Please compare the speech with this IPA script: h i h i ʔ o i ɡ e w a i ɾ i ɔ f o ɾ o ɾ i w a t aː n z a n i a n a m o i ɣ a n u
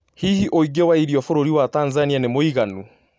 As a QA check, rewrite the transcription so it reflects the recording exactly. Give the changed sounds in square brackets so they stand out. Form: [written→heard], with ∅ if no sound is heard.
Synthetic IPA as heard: h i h i ʔ o i ɡ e w a i ɾ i ɔ f o ɾ o ɾ i w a t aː n z a n i a n [a→e] m o i ɣ a n u